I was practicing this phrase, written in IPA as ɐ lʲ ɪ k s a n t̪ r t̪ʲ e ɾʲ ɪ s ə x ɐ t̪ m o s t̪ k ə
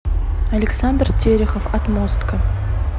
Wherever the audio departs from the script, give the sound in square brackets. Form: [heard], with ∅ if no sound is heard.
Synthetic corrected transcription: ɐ lʲ ɪ k s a n [d̪] r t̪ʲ e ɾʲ ɪ [x] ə [f] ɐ t̪ m o s t̪ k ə